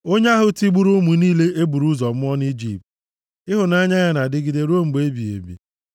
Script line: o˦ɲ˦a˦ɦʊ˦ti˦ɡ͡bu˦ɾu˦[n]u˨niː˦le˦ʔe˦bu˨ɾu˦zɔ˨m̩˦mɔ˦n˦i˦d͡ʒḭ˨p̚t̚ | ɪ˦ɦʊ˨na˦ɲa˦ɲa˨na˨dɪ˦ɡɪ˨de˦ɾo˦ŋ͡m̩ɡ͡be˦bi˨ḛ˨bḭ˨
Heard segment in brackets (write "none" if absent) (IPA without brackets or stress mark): m